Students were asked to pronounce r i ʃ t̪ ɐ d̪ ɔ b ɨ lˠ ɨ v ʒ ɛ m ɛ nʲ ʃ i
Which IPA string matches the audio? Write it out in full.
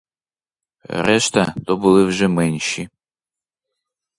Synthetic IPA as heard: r ɛ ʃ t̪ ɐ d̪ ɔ b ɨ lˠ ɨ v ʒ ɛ m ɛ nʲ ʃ i